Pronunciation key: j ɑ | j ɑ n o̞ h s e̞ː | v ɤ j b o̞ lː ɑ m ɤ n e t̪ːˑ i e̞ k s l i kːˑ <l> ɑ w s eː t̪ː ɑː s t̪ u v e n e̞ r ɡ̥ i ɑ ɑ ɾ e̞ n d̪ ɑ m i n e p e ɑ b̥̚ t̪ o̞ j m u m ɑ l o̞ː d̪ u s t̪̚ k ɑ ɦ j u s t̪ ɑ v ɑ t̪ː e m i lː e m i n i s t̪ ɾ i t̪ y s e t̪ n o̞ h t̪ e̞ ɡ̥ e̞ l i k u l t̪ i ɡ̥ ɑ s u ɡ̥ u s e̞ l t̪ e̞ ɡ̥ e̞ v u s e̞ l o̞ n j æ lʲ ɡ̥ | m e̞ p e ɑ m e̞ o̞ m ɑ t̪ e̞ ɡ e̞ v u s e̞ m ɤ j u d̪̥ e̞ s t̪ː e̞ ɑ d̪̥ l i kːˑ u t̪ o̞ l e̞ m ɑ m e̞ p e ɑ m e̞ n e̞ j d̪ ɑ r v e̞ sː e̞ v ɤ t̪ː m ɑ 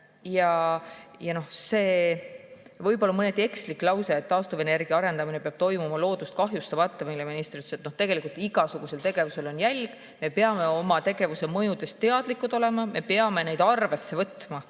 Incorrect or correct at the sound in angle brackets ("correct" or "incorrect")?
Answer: correct